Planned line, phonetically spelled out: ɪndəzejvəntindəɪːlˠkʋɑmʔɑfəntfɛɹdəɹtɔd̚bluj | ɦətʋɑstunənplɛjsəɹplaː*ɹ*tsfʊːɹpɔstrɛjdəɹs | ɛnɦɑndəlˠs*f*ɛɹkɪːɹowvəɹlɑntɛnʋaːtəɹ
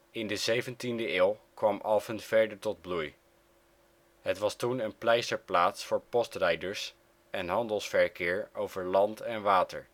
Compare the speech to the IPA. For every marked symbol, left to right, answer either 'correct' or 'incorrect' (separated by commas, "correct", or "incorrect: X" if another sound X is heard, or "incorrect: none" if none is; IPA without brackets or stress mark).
incorrect: none, correct